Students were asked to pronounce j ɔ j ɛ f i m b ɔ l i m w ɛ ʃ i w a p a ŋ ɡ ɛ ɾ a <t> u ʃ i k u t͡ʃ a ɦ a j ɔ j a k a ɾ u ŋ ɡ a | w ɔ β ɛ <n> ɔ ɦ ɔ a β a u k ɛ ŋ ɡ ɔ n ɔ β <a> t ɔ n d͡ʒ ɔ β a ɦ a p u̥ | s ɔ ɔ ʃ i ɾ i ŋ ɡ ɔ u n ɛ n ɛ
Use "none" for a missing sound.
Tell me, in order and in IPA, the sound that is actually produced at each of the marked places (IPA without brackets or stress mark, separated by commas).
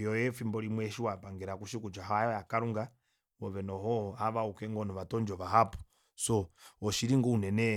k, n, a